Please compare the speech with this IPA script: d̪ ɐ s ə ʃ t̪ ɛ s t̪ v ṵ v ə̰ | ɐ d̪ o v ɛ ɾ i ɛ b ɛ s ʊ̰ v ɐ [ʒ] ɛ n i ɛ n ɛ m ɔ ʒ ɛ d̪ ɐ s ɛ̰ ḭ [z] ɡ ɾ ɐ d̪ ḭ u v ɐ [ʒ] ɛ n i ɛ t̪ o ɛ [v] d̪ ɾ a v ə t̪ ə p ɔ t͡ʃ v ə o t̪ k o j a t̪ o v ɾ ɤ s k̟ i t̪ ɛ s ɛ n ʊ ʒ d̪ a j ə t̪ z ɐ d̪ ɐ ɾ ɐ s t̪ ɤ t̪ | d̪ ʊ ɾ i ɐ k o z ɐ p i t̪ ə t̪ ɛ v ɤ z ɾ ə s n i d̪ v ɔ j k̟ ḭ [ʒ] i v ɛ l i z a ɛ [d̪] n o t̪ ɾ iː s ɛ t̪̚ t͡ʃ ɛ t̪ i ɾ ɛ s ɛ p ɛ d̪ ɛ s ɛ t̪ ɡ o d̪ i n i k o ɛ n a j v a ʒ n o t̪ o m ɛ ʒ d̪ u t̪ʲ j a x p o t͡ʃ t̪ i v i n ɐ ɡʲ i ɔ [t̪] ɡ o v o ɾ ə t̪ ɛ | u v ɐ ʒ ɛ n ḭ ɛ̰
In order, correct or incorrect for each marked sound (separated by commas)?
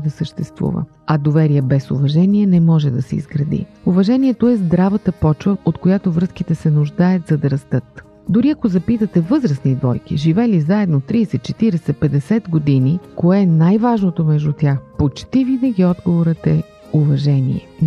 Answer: correct, correct, correct, incorrect, correct, correct, incorrect